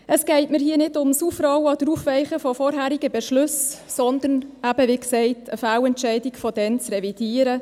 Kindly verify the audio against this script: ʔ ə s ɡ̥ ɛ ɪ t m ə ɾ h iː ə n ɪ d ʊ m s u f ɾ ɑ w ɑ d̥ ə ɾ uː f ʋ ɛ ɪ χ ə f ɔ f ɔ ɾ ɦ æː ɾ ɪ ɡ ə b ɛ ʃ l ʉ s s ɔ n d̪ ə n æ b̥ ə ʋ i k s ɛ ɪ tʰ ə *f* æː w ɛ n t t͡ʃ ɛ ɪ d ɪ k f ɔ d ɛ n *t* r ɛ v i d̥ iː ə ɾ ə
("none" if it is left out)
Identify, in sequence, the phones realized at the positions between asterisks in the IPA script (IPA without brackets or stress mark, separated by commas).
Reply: f, t͡s